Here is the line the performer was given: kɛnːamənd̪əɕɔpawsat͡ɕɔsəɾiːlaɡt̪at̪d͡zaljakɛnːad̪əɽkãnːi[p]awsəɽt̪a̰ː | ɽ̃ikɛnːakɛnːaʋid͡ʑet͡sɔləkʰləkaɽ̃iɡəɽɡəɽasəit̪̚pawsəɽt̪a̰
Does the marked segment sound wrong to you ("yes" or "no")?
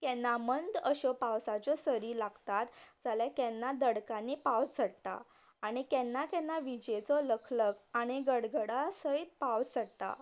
no